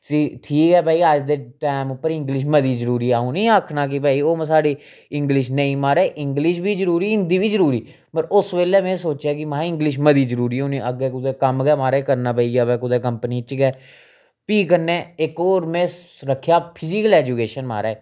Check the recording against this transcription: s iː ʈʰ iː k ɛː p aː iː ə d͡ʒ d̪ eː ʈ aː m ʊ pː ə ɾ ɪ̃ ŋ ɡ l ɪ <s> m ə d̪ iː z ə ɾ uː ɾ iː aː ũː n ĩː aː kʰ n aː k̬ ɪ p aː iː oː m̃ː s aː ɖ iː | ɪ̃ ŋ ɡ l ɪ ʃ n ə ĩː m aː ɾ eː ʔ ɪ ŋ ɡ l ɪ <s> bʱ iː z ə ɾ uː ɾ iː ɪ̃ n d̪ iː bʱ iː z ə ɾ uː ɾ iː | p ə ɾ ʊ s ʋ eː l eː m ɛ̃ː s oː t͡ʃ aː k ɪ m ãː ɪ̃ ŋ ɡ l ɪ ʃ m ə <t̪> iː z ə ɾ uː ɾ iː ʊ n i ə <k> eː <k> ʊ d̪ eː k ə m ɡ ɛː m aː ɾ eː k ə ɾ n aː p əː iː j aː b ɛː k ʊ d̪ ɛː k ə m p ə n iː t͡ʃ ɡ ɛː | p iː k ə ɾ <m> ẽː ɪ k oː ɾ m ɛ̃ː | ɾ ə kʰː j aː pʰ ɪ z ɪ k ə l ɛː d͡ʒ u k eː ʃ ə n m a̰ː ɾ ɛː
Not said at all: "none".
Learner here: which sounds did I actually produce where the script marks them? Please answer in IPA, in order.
ʃ, ʃ, d̪, ɡ, k, n

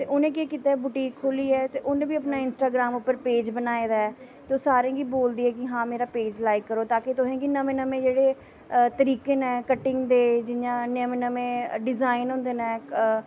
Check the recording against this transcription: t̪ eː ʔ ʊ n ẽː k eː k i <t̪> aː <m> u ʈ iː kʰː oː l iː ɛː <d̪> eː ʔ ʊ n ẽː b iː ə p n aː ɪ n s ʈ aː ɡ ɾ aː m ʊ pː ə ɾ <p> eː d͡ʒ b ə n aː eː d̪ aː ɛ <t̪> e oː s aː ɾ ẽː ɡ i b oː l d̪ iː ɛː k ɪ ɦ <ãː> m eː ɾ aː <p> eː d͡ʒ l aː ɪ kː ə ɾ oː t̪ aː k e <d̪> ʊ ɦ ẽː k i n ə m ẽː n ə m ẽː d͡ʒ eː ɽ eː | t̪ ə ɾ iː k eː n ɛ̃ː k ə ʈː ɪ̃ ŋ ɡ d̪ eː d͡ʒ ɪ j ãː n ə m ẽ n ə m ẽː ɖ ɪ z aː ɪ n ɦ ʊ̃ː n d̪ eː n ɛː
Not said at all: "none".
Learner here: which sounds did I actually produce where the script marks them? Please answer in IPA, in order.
t̪, b, t̪, p, t̪, ãː, p, t̪

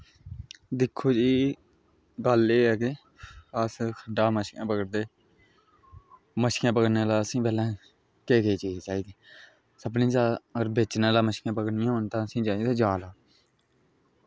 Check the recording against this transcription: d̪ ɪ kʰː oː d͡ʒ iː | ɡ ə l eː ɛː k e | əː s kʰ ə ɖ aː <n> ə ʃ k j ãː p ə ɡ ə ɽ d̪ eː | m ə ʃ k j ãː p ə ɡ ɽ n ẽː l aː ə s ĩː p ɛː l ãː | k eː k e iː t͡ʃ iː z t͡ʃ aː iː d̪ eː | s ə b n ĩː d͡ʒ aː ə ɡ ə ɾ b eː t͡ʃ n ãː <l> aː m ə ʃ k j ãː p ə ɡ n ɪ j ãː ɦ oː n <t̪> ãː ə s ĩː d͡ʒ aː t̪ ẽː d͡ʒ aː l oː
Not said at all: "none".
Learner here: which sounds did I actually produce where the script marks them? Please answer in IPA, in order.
m, l, t̪

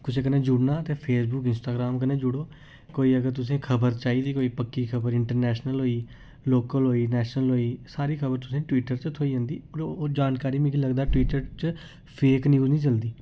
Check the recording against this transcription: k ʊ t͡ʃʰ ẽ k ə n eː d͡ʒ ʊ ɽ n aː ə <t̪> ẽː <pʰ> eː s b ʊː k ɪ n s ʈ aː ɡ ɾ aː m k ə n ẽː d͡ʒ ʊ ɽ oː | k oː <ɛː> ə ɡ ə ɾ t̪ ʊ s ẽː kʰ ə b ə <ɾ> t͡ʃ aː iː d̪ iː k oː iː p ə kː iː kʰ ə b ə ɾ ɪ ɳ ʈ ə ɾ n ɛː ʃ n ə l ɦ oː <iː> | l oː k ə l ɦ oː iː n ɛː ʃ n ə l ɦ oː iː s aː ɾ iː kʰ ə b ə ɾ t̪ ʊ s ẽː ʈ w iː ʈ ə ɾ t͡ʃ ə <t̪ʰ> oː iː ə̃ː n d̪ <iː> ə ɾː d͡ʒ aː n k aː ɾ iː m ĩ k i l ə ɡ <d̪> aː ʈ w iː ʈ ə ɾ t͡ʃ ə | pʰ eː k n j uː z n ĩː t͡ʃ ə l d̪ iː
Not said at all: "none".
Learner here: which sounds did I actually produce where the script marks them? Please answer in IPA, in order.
t̪, pʰ, iː, ɾ, iː, t̪ʰ, iː, d̪

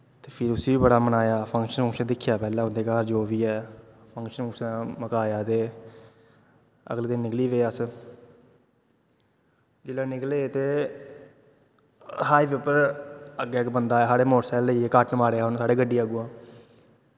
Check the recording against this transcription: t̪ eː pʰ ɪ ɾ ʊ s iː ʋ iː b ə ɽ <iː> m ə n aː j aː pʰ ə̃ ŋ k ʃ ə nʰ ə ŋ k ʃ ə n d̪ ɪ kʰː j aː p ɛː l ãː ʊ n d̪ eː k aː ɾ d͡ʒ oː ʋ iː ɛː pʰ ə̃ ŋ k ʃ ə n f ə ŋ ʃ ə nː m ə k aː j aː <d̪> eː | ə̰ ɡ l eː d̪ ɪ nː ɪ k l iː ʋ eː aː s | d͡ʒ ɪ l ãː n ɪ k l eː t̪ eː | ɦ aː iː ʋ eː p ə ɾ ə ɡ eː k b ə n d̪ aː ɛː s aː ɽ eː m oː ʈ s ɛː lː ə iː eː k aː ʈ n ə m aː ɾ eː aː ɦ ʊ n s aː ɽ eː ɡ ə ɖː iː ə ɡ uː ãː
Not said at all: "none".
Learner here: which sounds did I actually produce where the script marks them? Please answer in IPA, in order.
aː, t̪

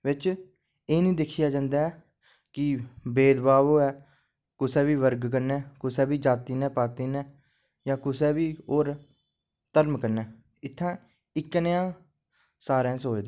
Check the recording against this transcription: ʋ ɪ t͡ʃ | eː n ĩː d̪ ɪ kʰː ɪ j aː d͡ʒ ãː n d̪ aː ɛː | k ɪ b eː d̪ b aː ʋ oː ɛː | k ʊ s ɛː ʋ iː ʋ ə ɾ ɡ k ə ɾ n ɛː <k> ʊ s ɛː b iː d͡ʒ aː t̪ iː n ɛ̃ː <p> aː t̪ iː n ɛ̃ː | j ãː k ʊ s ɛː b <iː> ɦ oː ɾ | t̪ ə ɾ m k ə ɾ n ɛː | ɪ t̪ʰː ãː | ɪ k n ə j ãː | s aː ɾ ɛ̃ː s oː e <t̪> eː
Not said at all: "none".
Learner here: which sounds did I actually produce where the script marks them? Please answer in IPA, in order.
k, p, iː, d̪

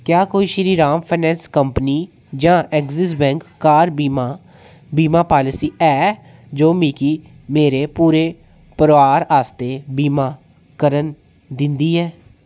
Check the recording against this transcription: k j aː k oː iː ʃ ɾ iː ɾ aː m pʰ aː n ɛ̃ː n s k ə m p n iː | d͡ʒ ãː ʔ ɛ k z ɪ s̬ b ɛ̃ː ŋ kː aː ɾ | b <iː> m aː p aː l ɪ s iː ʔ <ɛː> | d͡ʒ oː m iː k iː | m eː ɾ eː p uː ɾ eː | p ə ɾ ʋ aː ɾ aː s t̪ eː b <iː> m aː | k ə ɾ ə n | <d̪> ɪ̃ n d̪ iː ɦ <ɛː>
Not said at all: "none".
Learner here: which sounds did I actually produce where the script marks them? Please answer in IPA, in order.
iː, ɛː, iː, d̪, ɛː

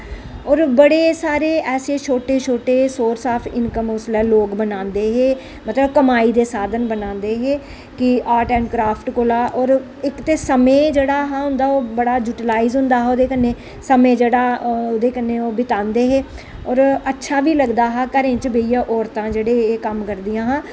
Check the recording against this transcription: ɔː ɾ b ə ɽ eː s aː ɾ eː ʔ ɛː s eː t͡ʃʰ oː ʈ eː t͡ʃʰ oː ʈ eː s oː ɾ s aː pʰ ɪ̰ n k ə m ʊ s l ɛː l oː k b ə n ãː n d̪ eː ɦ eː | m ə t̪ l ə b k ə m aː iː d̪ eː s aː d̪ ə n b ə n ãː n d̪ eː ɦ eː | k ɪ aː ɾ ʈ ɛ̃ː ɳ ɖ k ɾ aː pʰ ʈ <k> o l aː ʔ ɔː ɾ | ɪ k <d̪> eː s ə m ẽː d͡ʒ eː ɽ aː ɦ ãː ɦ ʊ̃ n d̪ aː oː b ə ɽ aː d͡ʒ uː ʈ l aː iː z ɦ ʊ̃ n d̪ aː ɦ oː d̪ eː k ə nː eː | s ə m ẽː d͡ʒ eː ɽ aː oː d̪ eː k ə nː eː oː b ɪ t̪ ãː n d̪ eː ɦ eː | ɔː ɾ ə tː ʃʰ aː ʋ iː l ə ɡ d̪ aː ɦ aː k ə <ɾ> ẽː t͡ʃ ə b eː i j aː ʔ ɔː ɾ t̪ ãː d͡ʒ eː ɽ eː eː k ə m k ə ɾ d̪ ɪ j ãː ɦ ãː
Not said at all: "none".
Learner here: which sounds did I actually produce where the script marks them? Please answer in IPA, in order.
k, t̪, ɾ

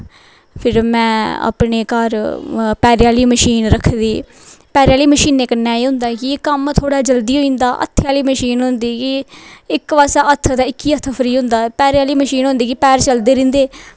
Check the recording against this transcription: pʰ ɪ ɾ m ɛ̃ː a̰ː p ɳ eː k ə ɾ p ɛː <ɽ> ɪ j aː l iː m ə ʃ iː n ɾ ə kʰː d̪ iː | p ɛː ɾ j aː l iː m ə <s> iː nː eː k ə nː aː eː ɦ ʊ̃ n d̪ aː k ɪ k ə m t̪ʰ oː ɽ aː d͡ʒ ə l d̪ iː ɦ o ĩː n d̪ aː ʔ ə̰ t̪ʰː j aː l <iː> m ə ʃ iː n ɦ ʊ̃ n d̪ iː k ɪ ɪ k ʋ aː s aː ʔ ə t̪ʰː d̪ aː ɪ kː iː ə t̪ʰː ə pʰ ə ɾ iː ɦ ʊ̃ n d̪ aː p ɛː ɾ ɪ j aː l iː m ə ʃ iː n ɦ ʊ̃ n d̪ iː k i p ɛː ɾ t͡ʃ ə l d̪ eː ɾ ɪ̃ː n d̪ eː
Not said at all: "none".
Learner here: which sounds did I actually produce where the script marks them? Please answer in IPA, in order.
ɾ, ʃ, iː

